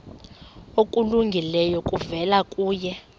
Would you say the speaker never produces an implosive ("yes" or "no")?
yes